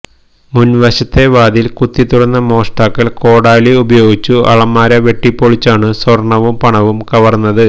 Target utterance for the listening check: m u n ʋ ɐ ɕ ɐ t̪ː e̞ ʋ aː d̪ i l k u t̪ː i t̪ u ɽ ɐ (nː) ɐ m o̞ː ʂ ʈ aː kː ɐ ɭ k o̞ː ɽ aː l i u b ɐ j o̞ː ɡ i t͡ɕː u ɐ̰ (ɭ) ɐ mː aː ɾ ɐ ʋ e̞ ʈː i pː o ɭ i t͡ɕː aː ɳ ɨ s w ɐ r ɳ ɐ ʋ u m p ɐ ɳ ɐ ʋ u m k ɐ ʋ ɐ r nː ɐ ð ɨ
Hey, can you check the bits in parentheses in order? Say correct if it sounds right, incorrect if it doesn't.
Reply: correct, correct

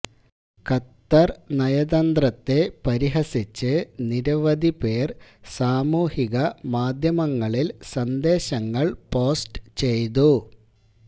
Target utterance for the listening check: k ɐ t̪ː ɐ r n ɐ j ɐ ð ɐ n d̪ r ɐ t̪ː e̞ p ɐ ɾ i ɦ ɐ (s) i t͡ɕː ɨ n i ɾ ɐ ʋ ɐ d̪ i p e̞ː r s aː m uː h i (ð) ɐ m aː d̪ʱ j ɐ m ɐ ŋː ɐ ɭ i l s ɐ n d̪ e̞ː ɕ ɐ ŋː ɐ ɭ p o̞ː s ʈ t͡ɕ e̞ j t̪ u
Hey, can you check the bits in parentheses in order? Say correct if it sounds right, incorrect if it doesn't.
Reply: correct, incorrect: ɣ

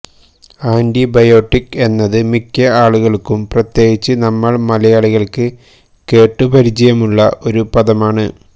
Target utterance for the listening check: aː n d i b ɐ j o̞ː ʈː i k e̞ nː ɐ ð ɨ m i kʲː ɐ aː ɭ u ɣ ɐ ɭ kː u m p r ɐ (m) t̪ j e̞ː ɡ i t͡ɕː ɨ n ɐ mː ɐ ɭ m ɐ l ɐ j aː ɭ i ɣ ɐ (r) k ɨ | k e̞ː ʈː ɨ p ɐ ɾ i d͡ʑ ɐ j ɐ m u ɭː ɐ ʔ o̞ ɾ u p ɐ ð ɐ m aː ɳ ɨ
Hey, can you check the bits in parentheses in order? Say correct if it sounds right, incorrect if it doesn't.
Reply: incorrect: none, incorrect: ɭ

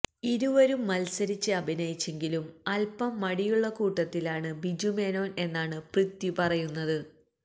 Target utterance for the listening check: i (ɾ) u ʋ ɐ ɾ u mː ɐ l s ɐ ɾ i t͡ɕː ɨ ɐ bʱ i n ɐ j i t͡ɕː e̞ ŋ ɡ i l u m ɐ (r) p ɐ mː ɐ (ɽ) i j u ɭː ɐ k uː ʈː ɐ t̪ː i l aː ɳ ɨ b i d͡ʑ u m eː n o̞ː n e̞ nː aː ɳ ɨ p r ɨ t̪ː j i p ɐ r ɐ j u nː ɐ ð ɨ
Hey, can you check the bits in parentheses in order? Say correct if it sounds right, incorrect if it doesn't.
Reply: correct, incorrect: l, correct

